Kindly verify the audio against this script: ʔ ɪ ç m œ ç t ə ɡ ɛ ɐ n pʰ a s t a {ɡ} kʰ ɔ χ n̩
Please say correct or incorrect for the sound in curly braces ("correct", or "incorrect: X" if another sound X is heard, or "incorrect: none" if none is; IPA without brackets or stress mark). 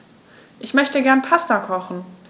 incorrect: none